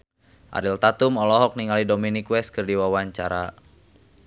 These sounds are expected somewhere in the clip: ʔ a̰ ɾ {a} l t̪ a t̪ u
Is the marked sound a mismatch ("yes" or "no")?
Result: yes